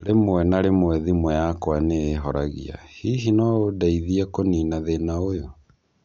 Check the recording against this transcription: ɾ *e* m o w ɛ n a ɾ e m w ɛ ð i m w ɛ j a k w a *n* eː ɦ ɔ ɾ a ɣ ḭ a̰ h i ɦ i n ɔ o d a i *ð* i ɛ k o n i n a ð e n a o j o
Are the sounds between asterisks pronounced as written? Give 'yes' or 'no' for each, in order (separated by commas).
yes, yes, yes